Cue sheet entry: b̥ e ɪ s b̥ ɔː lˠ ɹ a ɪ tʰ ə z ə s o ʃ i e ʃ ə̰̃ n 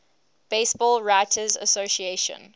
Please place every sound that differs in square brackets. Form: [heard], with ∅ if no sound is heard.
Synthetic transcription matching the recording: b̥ e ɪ s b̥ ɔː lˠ ɹ a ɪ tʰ ə z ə s o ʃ i e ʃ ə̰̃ n